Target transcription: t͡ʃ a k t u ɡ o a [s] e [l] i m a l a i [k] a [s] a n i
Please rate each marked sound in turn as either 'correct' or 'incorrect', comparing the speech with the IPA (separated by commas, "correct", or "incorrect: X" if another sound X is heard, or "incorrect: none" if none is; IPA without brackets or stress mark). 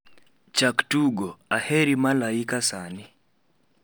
incorrect: h, incorrect: ɾ, correct, correct